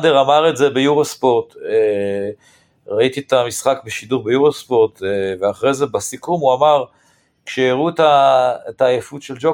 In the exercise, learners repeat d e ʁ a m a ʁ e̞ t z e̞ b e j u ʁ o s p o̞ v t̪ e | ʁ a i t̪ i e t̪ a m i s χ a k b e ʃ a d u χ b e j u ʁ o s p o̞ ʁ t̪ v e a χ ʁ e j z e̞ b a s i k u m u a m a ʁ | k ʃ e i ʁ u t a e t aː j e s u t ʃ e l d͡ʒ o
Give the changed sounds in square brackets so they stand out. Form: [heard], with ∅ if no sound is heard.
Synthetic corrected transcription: d e ʁ a m a ʁ e̞ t z e̞ b e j u ʁ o s p o̞ [ʁ] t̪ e | ʁ a i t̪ i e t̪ a m i s χ a k b e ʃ [i] d u [ʁ] b e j u ʁ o s p o̞ ʁ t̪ v e a χ ʁ e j z e̞ b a s i k u m u a m a ʁ | k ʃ e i ʁ u t a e t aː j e [f] u t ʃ e l d͡ʒ o